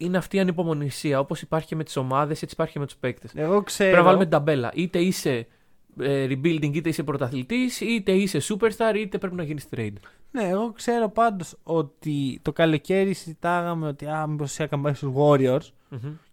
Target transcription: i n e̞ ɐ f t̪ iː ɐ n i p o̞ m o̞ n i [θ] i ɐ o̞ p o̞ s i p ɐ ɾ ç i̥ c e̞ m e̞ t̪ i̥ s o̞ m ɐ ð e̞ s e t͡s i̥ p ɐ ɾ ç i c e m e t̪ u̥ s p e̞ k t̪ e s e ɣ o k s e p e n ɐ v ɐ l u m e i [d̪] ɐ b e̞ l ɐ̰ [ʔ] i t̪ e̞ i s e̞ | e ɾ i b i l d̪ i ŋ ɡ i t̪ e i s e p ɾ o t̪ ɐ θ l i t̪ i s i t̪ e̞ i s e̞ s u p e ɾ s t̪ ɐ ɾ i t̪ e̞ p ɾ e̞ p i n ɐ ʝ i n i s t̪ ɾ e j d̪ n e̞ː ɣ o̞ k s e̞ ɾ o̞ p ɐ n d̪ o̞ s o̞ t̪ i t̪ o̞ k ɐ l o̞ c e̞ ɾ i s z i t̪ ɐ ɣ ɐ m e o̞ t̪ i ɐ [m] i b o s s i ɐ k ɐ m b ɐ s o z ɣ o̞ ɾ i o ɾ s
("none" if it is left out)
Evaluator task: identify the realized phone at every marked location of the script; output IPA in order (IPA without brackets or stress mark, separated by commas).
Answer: s, d̪, ʔ, m